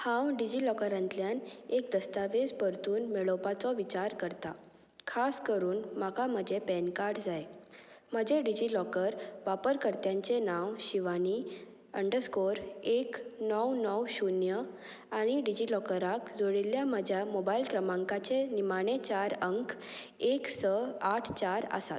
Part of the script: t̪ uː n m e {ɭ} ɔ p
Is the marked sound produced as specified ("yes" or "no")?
yes